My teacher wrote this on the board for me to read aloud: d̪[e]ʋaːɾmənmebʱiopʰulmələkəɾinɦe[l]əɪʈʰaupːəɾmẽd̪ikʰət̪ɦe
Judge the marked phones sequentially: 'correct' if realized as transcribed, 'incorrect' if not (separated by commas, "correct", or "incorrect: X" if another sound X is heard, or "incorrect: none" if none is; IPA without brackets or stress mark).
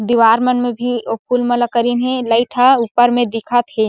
incorrect: i, correct